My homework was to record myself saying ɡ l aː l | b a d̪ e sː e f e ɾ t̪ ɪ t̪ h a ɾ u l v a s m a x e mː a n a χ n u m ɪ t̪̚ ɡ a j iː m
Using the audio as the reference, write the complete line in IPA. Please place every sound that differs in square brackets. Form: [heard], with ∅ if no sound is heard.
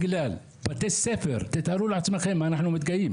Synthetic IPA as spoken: ɡ l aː l | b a [t̪] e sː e f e ɾ t̪ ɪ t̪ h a ɾ u l [ʕ] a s m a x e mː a n a [ħ] n u m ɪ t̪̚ ɡ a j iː m